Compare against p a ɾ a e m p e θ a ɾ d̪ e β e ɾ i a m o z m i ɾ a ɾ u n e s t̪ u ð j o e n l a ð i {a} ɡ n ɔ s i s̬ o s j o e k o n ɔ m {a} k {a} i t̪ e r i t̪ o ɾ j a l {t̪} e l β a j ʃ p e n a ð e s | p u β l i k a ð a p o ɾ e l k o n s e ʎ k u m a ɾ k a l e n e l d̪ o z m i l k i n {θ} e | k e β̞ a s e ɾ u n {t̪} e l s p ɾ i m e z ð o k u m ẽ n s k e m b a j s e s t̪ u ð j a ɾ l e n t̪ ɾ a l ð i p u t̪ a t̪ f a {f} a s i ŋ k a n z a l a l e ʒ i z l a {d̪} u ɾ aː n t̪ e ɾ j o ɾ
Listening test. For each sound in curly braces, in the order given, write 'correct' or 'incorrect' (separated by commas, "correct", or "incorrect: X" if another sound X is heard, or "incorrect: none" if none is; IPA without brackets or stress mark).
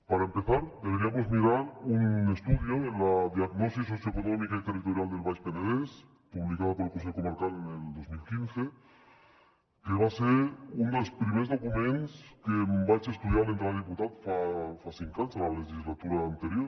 correct, incorrect: i, correct, incorrect: d̪, correct, incorrect: d̪, correct, incorrect: t̪